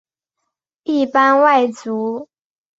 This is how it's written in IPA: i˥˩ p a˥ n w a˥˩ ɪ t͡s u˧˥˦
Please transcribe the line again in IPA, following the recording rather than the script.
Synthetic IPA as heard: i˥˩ p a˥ n w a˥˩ ɪ t͡s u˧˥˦